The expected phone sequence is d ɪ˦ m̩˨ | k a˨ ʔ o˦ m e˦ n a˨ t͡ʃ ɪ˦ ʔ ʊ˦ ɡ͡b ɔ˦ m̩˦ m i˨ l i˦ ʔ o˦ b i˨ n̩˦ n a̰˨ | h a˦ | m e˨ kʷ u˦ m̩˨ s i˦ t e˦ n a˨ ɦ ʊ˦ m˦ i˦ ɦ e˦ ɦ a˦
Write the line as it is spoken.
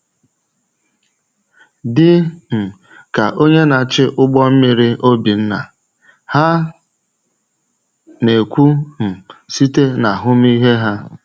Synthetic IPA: d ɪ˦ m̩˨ | k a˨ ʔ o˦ ɲ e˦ n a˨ t͡ʃ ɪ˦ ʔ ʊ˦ ɡ͡b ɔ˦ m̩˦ m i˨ ɾ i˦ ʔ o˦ b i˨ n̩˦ n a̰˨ | h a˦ | n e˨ kʷ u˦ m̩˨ s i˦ t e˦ n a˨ ɦ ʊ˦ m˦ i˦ ɦ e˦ ɦ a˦